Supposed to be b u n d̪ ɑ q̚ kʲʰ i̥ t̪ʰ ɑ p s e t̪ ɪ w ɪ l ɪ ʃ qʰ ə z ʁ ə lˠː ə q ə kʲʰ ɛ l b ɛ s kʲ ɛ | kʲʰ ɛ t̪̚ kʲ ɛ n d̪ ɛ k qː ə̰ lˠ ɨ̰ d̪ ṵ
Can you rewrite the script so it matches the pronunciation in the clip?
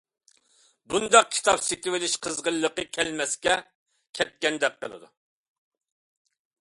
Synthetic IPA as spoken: b u n d̪ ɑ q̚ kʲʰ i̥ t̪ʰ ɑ p s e t̪ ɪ w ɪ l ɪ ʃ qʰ ə z ʁ ə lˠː ə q ə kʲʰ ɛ l m ɛ s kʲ ɛ | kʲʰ ɛ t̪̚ kʲ ɛ n d̪ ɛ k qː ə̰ lˠ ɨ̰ d̪ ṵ